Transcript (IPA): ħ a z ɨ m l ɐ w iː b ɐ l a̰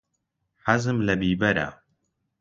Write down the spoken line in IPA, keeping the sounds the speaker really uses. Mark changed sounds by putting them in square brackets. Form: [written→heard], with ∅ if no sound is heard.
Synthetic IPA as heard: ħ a z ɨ m l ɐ [w→b] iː b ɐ [l→ɾ] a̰